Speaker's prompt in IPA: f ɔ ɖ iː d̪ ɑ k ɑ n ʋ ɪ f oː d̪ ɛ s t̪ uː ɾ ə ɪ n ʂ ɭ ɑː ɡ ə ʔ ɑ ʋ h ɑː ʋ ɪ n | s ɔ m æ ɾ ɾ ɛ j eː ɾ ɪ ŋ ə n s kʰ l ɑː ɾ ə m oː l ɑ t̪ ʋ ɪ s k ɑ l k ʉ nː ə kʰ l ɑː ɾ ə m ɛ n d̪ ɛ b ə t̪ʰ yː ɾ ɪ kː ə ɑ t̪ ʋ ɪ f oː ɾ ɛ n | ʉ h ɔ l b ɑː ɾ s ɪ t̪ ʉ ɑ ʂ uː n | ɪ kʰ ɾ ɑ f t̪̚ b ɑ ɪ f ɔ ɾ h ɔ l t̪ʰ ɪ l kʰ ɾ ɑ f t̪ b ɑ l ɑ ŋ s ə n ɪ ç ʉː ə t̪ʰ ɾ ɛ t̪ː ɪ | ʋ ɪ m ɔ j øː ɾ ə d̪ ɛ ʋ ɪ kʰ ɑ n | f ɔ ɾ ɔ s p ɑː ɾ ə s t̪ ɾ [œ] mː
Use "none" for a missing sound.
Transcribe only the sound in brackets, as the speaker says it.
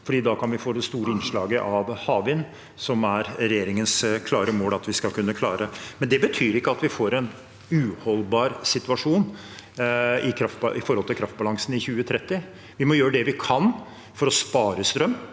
œ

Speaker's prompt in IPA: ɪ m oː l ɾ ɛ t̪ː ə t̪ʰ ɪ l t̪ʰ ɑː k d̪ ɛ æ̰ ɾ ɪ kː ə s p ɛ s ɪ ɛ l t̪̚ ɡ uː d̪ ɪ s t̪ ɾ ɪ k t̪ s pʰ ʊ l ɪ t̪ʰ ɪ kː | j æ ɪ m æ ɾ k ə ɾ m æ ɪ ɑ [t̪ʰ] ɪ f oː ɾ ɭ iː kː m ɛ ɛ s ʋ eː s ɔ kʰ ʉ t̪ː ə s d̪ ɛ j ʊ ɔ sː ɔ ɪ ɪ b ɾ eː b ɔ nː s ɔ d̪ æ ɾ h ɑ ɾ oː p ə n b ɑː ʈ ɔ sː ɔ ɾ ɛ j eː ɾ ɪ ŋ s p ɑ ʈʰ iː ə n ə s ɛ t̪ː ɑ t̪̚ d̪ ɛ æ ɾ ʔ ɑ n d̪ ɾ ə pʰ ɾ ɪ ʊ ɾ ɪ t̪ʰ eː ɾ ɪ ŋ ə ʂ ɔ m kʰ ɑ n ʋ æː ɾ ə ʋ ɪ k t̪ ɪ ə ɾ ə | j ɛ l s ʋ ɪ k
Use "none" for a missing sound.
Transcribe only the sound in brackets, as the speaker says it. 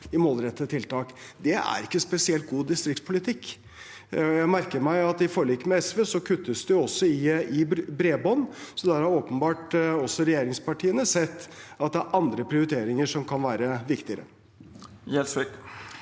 t̪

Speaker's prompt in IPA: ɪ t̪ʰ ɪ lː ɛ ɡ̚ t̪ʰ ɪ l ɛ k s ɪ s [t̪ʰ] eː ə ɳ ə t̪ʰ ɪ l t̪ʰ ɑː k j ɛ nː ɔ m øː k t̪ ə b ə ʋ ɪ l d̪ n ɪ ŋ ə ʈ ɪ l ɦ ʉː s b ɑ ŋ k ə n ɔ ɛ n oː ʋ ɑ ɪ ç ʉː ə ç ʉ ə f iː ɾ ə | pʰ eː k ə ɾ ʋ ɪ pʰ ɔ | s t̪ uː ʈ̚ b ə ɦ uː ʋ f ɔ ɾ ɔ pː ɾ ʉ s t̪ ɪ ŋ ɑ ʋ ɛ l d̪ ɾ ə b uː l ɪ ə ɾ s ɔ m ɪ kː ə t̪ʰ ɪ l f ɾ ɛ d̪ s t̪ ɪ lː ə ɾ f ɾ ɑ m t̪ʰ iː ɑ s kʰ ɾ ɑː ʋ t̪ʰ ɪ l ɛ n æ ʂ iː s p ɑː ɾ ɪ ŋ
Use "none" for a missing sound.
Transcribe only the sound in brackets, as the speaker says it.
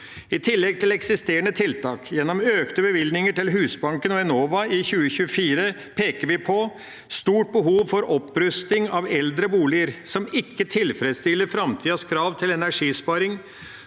t̪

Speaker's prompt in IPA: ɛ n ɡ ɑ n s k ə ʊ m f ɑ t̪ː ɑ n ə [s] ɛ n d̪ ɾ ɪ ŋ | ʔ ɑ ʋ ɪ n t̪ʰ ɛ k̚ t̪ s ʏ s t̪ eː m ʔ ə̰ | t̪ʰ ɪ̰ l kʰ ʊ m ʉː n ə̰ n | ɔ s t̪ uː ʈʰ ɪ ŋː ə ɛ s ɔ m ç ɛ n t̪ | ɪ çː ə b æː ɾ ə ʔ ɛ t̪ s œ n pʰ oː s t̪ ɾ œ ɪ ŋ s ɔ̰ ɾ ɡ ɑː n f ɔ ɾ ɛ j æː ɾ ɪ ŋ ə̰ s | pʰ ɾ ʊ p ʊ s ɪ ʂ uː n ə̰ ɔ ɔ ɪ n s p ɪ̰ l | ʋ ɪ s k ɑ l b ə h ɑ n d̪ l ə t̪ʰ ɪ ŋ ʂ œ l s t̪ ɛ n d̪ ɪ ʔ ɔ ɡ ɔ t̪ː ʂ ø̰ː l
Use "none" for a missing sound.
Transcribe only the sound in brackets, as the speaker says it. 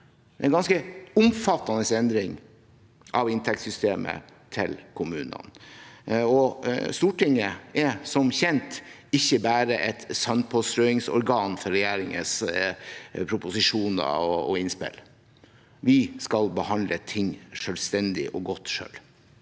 s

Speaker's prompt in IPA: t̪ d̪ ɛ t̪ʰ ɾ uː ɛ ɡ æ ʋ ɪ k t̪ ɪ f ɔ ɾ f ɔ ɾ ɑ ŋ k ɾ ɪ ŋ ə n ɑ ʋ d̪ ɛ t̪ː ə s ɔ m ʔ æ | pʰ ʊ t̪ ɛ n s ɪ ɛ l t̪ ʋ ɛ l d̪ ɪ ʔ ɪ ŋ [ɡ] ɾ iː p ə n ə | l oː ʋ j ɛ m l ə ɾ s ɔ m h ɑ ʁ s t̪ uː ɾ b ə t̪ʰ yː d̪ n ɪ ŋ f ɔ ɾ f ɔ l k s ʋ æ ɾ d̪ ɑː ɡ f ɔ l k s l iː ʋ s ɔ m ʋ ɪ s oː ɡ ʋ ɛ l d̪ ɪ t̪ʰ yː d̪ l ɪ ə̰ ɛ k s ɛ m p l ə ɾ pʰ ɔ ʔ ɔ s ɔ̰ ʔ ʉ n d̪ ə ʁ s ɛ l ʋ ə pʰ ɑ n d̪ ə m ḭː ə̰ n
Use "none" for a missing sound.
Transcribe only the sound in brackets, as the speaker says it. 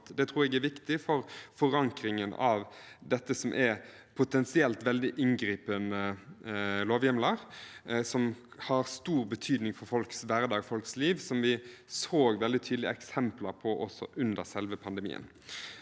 ɡ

